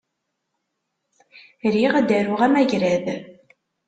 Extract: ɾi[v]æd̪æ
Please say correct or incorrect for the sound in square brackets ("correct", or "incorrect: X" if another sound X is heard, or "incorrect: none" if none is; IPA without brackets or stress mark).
incorrect: ʁ